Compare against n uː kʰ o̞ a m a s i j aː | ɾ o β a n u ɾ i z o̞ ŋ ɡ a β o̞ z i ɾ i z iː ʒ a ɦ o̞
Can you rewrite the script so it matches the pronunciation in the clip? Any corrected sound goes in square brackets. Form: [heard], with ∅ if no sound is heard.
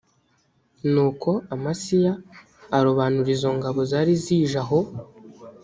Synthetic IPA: n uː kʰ o̞ a m a s i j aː | ɾ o β a n u ɾ i z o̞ ŋ ɡ a β o̞ z [a] ɾ i z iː ʒ a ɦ o̞

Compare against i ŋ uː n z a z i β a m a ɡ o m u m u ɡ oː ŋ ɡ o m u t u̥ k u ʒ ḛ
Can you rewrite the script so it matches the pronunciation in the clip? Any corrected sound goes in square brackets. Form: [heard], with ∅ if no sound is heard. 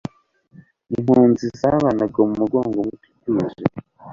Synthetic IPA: i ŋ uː n z [i] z [a] β a [n] a ɡ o m u m u ɡ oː ŋ ɡ o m u t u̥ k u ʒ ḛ

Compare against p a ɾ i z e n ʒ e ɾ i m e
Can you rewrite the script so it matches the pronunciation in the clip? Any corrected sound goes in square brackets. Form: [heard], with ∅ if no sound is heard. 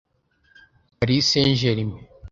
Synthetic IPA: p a ɾ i [s] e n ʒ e ɾ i m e

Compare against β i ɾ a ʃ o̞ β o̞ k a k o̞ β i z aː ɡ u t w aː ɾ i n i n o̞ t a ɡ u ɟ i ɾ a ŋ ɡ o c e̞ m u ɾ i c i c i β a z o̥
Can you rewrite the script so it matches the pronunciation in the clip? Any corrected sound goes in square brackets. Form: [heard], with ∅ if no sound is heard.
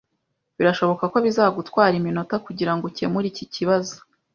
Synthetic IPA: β i ɾ a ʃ o̞ β o̞ k a k o̞ β i z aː ɡ u t w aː ɾ i [m] i n o̞ t a [k] u ɟ i ɾ a ŋ ɡ o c e̞ m u ɾ i c i c i β a z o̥

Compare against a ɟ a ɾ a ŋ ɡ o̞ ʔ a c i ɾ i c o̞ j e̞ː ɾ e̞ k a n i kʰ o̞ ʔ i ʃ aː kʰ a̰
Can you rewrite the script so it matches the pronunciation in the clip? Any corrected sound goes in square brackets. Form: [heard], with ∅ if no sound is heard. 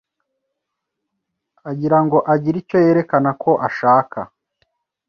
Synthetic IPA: a ɟ [i] ɾ a ŋ ɡ o̞ ʔ a [ɟ] i ɾ i c o̞ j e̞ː ɾ e̞ k a n [a] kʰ o̞ ʔ [a] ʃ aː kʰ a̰

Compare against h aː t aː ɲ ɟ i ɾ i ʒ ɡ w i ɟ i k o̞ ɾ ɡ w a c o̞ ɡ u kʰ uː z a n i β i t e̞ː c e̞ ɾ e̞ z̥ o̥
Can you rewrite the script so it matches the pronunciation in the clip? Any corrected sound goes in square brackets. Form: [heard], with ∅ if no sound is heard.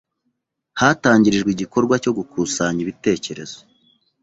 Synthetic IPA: h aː t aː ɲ ɟ i ɾ i ʒ ɡ w i ɟ i k o̞ ɾ ɡ w a c o̞ ɡ u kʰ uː [s] a [ɲ] i β i t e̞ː c e̞ ɾ e̞ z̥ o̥

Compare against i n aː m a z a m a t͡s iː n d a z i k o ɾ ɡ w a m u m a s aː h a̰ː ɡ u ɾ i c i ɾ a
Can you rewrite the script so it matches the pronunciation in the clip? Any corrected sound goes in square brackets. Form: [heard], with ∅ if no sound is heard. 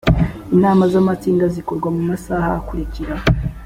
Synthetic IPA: i n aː m a z a m a t͡s iː n d a z i k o ɾ ɡ w a m u m a s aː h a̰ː [k] u ɾ i c i ɾ a

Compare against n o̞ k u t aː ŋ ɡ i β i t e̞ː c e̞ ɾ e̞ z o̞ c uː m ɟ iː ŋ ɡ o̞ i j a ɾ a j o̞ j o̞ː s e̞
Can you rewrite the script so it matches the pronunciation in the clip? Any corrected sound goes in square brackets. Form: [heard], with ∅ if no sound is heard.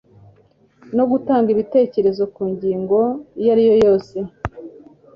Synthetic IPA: n o̞ [ɡ] u t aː ŋ ɡ i β i t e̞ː c e̞ ɾ e̞ z o̞ [k] uː [ɲ] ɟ iː ŋ ɡ o̞ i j a ɾ [i] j o̞ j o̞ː s e̞

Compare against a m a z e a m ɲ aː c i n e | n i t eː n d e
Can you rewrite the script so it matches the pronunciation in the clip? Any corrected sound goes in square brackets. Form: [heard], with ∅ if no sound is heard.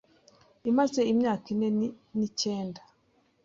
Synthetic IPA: [i] m a z e [i] m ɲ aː [k] i n e | n i [c] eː n d [a]

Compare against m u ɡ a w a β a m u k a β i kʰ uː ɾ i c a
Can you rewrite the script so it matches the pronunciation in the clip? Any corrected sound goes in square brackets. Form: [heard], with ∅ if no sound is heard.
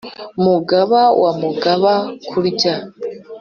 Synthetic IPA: m u ɡ a [β] a [w] a m u [ɡ] a β [a] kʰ [u] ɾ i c a

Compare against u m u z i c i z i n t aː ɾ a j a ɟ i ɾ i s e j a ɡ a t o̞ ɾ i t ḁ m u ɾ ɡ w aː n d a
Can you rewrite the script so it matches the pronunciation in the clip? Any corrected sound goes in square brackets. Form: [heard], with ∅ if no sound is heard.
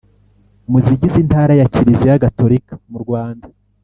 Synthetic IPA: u m u z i [ɟ] i z i n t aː ɾ a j a [c] i ɾ i [z] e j a ɡ a t o̞ ɾ i [k] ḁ m u ɾ ɡ w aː n d a

